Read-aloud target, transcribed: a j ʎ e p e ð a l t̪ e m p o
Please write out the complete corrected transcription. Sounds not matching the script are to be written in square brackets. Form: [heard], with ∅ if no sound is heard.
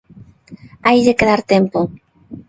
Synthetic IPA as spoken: a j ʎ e [k] e ð a [ɾ] t̪ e m p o